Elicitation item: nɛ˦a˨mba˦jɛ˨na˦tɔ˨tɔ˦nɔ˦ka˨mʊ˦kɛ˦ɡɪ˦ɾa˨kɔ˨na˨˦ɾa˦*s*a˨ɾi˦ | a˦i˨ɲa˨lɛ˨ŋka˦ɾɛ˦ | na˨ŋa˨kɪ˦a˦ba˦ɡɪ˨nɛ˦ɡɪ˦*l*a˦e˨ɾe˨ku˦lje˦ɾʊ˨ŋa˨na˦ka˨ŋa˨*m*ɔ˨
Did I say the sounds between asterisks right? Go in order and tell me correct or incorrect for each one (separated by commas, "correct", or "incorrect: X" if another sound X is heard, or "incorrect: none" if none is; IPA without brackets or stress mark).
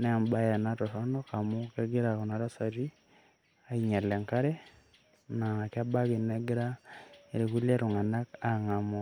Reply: correct, incorrect: ɾ, correct